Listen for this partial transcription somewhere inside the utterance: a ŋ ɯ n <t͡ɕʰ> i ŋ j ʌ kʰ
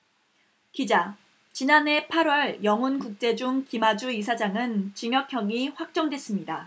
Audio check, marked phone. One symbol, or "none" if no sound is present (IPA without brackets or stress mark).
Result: t͡ɕ